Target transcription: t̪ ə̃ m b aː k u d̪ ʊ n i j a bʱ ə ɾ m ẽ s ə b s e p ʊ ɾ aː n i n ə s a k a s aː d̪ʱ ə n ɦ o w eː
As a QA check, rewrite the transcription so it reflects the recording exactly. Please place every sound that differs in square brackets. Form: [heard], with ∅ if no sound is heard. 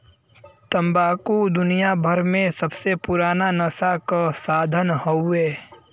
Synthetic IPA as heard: t̪ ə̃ m b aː k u d̪ ʊ n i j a bʱ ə ɾ m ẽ s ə b s e p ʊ ɾ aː n [a] n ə s a k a s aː d̪ʱ ə n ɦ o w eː